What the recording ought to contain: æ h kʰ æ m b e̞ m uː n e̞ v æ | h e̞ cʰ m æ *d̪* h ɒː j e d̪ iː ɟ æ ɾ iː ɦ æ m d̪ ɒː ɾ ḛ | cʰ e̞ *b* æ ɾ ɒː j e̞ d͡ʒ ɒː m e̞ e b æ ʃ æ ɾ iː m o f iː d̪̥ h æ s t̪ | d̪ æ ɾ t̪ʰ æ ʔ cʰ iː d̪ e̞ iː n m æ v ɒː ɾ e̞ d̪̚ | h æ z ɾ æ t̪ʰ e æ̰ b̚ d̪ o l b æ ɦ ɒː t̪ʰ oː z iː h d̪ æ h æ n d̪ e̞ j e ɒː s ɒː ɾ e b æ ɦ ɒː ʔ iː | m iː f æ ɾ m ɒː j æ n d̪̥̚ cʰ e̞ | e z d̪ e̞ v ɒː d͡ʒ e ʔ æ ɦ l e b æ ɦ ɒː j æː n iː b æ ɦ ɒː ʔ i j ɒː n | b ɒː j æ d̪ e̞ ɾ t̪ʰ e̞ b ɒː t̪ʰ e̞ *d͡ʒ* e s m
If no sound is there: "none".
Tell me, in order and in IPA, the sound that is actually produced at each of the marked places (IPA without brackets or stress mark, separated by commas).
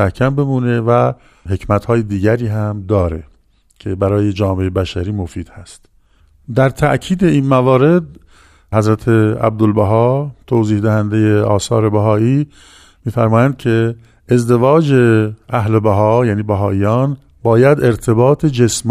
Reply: t̪, b, d͡ʒ